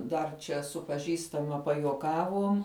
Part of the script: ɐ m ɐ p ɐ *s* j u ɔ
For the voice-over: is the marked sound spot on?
no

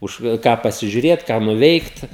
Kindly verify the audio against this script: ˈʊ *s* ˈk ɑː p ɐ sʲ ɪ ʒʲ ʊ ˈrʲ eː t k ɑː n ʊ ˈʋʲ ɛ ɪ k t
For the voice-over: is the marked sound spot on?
no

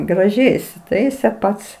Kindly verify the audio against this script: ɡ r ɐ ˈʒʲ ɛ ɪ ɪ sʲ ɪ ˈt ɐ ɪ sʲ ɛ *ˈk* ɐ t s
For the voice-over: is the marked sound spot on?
no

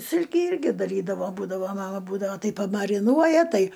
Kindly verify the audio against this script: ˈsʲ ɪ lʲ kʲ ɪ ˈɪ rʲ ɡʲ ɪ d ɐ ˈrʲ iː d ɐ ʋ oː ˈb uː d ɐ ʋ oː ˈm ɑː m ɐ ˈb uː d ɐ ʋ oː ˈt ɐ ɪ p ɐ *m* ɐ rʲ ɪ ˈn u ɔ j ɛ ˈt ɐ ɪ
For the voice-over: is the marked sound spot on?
yes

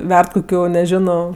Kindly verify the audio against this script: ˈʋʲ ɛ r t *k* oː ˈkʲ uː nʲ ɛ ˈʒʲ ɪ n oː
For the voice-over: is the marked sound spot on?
yes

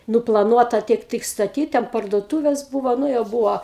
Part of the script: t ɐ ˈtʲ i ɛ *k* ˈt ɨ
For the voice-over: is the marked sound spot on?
yes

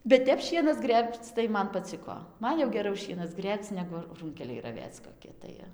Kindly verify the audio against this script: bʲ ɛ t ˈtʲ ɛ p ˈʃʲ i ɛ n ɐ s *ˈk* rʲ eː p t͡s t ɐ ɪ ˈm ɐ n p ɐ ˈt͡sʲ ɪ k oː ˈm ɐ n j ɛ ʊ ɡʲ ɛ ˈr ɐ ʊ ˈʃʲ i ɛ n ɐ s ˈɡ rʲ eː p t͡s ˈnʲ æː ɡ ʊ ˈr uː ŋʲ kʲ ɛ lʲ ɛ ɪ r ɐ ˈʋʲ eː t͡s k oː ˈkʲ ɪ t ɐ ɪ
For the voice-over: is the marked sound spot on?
no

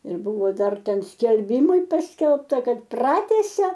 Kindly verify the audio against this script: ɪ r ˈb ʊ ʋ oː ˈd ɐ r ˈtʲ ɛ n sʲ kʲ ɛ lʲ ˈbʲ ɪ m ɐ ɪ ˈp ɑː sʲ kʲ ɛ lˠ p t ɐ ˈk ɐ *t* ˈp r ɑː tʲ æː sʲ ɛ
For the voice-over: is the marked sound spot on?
yes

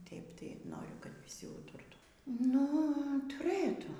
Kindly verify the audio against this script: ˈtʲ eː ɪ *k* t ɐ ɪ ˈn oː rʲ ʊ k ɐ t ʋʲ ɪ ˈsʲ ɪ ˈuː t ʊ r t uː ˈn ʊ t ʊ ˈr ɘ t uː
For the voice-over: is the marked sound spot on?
no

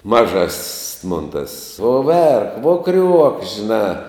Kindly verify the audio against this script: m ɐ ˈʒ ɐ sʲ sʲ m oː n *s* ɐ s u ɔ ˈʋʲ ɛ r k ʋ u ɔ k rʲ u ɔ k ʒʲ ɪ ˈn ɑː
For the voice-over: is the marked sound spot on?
no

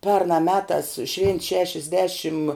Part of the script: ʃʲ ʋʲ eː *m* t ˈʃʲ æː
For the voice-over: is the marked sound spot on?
no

